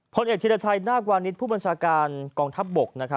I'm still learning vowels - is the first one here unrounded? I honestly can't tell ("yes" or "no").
no